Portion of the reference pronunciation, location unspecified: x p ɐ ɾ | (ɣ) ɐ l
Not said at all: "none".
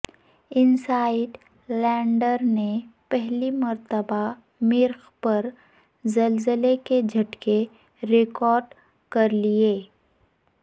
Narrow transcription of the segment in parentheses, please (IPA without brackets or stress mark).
z